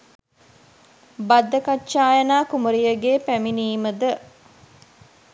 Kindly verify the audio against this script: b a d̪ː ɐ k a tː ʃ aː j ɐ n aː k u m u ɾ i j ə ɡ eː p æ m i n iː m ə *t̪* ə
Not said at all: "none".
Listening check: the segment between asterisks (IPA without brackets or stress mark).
d̪